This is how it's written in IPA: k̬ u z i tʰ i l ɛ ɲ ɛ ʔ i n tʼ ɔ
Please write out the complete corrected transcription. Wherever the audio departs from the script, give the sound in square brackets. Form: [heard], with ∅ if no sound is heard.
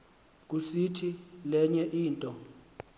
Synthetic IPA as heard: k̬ u [s] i tʰ i l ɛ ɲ ɛ ʔ [iː] n tʼ ɔ

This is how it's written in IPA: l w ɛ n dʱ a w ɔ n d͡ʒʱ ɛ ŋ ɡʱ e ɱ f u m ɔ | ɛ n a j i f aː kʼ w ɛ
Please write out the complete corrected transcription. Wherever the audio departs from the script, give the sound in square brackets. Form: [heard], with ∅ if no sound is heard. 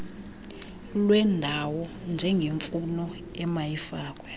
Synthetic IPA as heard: l w ɛ n dʱ a w ɔ n d͡ʒʱ ɛ ŋ ɡʱ e ɱ f u [n] ɔ | ɛ [m] a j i f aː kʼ w ɛ

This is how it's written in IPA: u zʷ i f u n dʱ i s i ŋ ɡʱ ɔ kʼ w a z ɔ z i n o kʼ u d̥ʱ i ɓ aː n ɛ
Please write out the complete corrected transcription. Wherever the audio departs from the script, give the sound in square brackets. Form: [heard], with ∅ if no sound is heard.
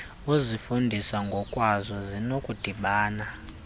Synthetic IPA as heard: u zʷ i f u n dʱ i s [a] ŋ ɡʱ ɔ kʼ w a z ɔ z i n o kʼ u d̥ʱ i ɓ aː n [a]

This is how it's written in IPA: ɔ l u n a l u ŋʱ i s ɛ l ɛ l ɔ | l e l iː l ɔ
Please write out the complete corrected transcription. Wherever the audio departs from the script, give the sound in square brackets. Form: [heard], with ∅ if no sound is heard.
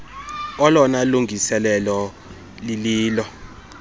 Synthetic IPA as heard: ɔ l [ɔ] n a l u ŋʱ i s ɛ l ɛ l ɔ | l [i] l iː l ɔ

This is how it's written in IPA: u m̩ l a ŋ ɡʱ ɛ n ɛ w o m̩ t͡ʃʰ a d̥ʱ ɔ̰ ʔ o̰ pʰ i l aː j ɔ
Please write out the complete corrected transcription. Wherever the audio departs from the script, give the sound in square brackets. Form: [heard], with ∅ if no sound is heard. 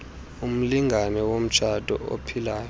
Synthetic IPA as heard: u m̩ l [i] ŋ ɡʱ [a] n ɛ w o m̩ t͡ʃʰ a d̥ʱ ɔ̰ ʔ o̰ pʰ i l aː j ɔ

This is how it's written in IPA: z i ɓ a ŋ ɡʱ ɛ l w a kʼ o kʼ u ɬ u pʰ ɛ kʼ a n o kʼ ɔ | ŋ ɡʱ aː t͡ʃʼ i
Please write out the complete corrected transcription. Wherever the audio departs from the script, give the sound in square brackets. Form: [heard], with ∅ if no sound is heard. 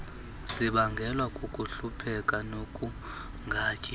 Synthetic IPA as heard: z i ɓ a ŋ ɡʱ ɛ l w a kʼ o kʼ u ɬ u pʰ ɛ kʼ a n o kʼ [u] | ŋ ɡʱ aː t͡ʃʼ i

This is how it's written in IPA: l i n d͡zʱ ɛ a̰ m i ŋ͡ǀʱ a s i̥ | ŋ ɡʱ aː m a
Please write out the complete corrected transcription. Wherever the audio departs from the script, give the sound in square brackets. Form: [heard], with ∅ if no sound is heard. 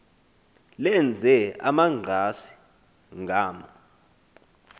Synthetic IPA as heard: l [ɛ] n d͡zʱ ɛ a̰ m [a] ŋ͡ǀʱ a s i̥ | ŋ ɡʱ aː m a

